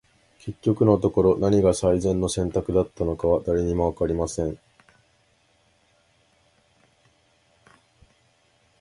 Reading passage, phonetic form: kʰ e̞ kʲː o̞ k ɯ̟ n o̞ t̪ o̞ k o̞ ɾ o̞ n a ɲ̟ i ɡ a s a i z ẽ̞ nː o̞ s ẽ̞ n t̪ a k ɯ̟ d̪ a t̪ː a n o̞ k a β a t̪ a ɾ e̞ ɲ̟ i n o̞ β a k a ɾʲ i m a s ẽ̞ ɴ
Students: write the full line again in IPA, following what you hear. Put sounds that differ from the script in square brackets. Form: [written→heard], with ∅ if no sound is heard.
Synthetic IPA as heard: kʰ e̞ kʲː o̞ k ɯ̟ n o̞ t̪ o̞ k o̞ ɾ o̞ n a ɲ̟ i ɡ a s a i z ẽ̞ nː o̞ s ẽ̞ n t̪ a k ɯ̟ d̪ a t̪ː a n o̞ k a β a [t̪→d̪] a ɾ e̞ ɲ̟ i [n→m] o̞ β a k a ɾʲ i m a s ẽ̞ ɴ